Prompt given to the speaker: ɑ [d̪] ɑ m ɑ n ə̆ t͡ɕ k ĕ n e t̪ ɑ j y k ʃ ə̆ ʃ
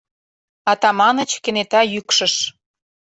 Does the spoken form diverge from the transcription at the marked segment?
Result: yes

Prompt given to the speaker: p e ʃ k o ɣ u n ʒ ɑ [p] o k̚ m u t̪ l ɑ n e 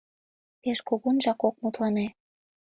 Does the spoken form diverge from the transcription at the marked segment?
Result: yes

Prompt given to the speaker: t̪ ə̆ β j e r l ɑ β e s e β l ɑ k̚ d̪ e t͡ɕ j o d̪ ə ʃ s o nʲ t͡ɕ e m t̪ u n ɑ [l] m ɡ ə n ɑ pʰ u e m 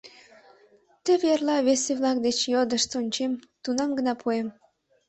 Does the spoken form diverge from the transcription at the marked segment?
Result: yes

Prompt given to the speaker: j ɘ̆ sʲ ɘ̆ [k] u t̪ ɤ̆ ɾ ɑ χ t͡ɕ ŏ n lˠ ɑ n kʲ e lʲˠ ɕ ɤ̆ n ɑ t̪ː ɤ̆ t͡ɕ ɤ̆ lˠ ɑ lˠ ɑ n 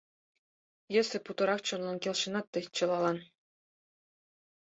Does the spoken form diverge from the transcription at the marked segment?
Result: yes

